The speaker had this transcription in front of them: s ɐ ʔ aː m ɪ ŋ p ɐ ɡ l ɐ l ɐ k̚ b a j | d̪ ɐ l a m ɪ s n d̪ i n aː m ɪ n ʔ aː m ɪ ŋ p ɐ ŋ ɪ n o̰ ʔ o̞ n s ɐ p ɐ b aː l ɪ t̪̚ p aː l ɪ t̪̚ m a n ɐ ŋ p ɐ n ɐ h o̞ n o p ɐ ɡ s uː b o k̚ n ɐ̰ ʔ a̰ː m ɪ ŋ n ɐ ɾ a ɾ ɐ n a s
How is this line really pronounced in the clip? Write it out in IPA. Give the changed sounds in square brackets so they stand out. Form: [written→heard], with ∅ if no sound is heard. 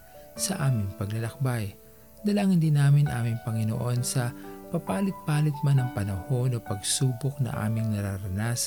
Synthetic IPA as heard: s ɐ ʔ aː m ɪ ŋ p ɐ ɡ l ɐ l ɐ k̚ b a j | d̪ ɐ l a [m→ŋ] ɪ [s→∅] n d̪ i n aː m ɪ n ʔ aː m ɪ ŋ p ɐ ŋ ɪ n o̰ ʔ o̞ n s ɐ p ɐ [b→p] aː l ɪ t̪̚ p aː l ɪ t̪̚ m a n ɐ ŋ p ɐ n ɐ h o̞ n o p ɐ ɡ s uː b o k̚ n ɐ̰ ʔ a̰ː m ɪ ŋ n ɐ ɾ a ɾ ɐ n a s